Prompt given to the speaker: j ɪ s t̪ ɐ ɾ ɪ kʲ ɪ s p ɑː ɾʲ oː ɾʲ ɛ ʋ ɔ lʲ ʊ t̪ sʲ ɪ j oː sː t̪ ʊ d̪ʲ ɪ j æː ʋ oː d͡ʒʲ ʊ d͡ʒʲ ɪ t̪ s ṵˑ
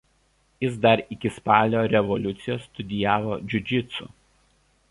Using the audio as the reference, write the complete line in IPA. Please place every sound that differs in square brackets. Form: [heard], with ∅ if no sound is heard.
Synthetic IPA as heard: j ɪ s [d̪] ɐ ɾ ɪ kʲ ɪ s p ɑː [lʲ] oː ɾʲ ɛ ʋ ɔ lʲ ʊ t̪ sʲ ɪ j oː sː t̪ ʊ d̪ʲ ɪ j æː ʋ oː d͡ʒʲ ʊ d͡ʒʲ ɪ t̪ s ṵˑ